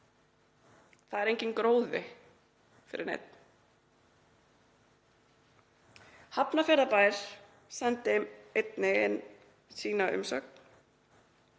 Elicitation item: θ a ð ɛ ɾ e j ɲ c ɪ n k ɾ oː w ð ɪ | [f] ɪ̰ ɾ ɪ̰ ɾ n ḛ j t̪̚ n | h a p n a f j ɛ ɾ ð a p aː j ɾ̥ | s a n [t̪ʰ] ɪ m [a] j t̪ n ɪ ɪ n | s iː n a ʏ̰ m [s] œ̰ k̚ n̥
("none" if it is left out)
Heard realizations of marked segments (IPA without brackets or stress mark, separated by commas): f, t̪, e, s